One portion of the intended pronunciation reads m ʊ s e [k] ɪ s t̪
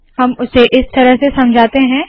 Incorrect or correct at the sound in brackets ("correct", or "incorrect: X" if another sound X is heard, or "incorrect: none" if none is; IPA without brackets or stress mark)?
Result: incorrect: ʔ